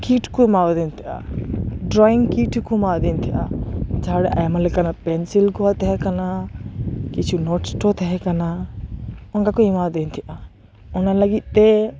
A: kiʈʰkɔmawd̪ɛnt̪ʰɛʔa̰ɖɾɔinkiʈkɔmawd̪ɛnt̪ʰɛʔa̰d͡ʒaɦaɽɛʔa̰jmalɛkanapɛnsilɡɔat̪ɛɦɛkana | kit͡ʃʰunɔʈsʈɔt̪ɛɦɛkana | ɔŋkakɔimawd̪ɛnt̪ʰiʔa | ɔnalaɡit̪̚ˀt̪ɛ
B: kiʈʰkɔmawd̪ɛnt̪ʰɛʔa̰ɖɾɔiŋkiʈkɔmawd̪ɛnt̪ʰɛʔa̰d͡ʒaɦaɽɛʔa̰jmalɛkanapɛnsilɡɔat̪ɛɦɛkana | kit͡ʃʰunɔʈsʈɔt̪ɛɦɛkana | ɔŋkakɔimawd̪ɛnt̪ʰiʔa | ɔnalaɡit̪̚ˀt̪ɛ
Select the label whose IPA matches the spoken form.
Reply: B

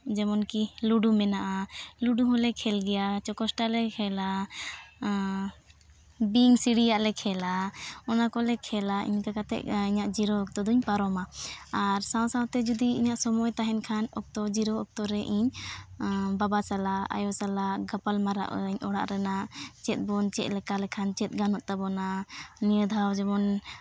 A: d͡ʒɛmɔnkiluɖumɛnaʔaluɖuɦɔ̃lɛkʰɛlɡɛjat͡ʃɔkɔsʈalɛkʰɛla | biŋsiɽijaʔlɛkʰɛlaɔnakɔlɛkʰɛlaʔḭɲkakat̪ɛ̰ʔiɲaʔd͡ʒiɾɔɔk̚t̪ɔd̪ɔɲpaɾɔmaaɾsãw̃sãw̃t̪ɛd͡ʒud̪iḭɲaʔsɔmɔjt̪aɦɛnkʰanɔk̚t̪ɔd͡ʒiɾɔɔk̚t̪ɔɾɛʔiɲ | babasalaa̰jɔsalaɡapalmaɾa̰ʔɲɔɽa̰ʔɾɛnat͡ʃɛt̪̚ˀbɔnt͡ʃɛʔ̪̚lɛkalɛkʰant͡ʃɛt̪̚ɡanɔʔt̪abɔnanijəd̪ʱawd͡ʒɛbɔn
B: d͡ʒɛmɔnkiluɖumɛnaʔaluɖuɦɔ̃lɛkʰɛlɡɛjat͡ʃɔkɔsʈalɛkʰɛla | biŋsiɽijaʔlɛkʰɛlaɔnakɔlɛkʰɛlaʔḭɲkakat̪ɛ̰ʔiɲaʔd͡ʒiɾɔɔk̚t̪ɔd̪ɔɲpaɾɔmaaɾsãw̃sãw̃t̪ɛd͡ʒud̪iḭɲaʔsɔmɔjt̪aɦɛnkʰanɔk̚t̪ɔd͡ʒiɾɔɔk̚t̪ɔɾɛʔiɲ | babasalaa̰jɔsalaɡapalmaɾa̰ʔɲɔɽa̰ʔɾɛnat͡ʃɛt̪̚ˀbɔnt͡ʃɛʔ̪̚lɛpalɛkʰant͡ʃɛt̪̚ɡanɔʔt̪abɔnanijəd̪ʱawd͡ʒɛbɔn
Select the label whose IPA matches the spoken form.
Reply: A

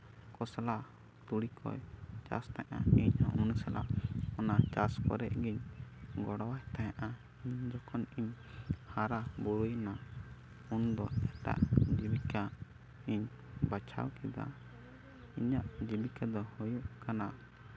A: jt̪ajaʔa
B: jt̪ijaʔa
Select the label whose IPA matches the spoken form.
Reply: A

